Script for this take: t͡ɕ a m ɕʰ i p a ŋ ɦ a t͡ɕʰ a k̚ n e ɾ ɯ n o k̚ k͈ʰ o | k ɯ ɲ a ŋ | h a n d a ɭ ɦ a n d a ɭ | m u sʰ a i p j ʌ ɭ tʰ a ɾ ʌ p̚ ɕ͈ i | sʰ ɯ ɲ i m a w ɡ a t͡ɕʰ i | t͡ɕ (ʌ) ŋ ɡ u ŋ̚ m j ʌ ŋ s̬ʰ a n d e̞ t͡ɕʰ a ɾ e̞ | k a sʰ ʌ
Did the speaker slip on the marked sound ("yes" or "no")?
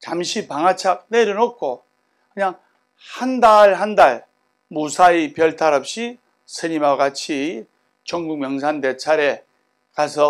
no